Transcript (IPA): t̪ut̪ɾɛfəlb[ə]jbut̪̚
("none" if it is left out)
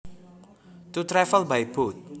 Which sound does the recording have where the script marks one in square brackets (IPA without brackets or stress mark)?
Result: a